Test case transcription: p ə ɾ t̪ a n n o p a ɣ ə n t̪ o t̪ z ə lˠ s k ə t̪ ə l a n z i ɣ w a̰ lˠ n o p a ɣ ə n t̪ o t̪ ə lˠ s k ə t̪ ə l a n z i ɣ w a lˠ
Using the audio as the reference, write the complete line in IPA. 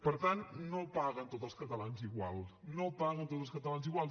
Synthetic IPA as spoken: p ə ɾ t̪ a n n o p a ɣ ə n t̪ o t̪ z ə lˠ s k ə t̪ ə l a n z i ɣ w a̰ lˠ n o p a ɣ ə n t̪ o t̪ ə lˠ s k ə t̪ ə l a n z i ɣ w a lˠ